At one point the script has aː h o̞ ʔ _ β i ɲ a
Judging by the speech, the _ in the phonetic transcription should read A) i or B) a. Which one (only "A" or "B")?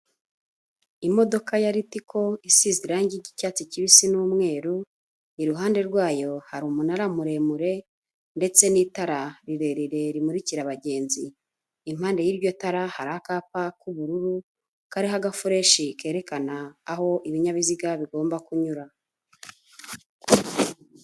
A